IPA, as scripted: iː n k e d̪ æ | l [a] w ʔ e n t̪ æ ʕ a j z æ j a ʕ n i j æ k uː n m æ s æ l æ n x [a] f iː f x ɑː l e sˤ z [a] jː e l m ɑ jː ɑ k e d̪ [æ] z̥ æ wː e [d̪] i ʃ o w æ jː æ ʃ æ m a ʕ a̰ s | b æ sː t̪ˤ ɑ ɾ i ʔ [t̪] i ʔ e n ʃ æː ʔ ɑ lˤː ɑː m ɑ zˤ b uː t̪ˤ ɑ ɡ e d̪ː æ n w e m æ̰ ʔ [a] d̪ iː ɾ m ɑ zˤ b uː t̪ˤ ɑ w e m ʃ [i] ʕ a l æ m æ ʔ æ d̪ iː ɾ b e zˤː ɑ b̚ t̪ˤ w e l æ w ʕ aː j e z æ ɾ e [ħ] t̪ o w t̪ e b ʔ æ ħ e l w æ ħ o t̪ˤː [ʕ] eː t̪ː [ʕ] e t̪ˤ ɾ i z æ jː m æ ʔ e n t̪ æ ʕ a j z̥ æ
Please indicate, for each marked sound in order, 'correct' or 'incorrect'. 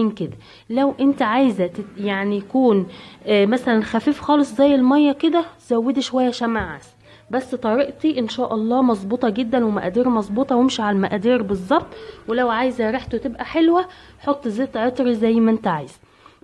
incorrect: æ, incorrect: æ, incorrect: æ, correct, correct, correct, incorrect: æ, correct, correct, incorrect: z, correct

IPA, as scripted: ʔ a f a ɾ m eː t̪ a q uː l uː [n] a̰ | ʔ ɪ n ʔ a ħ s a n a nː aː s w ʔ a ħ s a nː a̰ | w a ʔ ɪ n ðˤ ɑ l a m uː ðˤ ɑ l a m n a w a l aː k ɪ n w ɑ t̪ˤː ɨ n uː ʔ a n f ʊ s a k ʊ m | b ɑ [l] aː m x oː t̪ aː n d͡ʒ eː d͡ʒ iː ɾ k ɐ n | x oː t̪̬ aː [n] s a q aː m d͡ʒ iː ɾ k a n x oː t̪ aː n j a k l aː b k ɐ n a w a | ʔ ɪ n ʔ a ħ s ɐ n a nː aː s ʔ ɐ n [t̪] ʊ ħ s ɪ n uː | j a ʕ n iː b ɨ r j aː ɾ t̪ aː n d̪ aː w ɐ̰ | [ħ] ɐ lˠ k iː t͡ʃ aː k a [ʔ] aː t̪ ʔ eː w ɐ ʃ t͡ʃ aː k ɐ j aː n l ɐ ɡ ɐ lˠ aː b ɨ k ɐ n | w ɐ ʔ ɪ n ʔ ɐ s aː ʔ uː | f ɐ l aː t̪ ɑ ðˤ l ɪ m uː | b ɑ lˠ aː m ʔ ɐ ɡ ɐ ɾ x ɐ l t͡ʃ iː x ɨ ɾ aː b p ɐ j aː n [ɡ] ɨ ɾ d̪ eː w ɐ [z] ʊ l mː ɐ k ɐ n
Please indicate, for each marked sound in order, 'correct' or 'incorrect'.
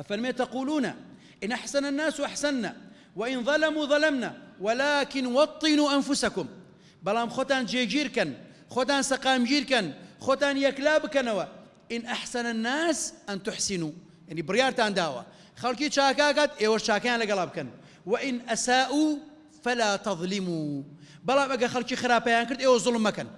correct, correct, correct, correct, incorrect: x, incorrect: k, incorrect: k, correct

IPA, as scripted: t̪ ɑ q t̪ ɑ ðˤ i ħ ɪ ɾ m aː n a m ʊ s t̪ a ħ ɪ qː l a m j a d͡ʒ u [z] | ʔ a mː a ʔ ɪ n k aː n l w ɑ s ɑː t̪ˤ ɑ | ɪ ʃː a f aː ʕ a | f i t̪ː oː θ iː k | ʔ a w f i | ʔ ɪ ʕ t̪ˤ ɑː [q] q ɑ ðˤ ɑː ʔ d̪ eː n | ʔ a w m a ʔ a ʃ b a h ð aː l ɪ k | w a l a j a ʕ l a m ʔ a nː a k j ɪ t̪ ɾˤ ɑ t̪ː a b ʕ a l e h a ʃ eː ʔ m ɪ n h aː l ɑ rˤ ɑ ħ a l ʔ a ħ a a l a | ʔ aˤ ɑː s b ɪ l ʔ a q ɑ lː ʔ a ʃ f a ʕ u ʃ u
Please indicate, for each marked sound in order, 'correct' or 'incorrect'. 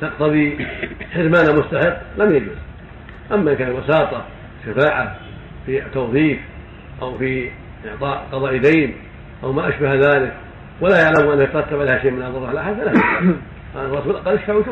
correct, incorrect: ʔ

